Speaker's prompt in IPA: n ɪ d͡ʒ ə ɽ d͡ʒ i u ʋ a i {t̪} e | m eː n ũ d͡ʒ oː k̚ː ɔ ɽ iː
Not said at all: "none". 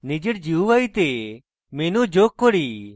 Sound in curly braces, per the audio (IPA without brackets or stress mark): t̪